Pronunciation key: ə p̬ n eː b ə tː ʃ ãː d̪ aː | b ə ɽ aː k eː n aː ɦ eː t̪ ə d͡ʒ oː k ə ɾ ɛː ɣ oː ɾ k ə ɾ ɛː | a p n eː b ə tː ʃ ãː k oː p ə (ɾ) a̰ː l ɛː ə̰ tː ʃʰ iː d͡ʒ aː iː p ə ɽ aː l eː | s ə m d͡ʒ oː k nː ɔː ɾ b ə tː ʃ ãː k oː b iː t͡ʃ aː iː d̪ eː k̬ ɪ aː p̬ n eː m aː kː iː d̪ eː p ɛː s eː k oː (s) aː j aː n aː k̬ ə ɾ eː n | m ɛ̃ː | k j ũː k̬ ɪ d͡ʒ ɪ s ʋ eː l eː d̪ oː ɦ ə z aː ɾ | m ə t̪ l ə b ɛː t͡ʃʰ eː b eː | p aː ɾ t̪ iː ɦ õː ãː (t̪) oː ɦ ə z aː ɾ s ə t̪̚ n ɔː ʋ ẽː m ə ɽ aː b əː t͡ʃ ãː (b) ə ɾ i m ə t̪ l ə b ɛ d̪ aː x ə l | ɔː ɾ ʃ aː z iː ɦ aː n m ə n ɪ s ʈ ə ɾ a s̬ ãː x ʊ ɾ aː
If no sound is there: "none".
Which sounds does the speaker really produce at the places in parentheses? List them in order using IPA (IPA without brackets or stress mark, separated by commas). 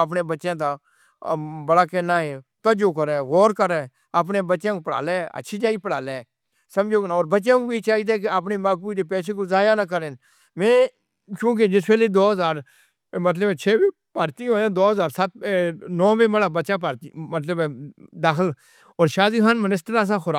ɽ, z, d̪, p